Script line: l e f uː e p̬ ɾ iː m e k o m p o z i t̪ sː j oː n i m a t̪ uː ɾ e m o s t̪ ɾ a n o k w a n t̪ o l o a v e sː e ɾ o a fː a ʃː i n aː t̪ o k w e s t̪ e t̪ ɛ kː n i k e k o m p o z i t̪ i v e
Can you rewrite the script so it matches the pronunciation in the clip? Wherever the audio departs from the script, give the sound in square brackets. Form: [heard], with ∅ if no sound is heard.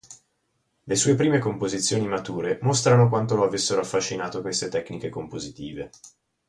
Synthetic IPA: l e [s] uː e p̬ ɾ iː m e k o m p o z i t̪ sː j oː n i m a t̪ uː ɾ e m o s t̪ ɾ a n o k w a n t̪ o l o a v e sː e ɾ o a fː a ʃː i n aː t̪ o k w e s t̪ e t̪ ɛ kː n i k e k o m p o z i t̪ [iː] v e